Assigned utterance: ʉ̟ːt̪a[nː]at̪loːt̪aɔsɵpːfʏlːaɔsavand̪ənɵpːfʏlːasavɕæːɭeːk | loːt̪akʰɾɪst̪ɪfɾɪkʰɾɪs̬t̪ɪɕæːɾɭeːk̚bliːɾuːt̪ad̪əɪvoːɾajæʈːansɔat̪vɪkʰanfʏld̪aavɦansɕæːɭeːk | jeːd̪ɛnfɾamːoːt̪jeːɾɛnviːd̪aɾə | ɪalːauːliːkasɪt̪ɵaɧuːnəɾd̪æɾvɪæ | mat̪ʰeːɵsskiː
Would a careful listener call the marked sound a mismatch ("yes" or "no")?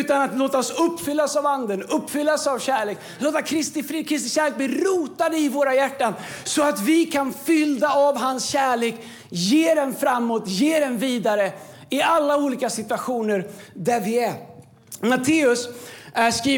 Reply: yes